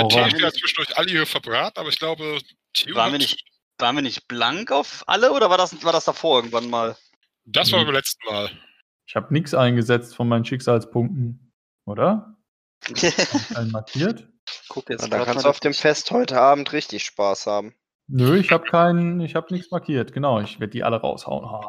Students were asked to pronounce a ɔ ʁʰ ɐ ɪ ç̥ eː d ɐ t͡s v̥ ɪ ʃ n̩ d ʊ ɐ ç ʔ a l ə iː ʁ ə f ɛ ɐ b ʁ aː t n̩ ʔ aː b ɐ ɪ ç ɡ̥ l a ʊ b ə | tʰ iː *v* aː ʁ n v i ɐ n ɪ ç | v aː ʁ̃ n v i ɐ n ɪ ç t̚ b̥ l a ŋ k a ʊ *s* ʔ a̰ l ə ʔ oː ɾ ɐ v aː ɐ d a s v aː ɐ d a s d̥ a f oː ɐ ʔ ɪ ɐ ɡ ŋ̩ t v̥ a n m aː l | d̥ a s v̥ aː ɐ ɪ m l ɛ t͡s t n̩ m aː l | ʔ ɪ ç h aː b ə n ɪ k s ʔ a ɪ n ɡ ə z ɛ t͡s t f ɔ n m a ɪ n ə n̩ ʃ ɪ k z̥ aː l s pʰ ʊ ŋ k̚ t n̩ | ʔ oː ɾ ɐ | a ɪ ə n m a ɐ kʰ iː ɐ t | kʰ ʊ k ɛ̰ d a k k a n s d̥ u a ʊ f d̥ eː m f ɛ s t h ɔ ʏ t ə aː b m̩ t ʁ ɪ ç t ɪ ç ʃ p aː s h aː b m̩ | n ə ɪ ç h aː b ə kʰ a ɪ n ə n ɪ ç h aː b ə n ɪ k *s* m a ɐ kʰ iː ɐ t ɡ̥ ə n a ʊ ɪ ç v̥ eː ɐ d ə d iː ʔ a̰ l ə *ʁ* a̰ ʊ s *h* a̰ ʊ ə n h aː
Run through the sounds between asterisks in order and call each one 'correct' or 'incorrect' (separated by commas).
correct, incorrect, correct, correct, correct